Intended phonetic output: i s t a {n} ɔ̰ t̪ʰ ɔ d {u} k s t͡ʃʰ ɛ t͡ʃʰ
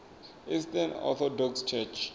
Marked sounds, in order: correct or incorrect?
correct, incorrect: ɔ

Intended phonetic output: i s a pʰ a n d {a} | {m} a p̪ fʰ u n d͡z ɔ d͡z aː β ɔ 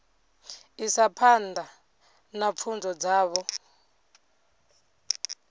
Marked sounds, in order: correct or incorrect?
correct, incorrect: n

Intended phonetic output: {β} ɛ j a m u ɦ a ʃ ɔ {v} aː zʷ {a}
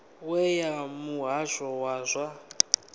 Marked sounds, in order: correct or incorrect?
incorrect: w, incorrect: w, correct

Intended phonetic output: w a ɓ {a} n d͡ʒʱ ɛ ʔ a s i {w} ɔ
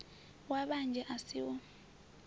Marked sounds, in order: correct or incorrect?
correct, correct

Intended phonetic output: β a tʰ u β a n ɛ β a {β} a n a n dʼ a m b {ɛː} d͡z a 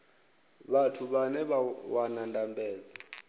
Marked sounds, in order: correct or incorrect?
incorrect: w, correct

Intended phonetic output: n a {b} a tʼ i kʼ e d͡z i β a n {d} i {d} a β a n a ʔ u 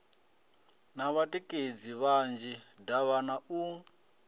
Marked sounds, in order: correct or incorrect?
incorrect: β, incorrect: d͡ʒ, correct

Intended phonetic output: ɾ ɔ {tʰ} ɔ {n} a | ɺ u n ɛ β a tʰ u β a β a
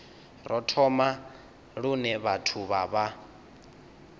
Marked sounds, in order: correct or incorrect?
correct, incorrect: m

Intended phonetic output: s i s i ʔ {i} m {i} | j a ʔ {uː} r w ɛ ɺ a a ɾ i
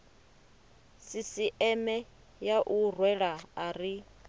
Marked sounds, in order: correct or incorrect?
incorrect: ɛ, incorrect: ɛ, incorrect: u

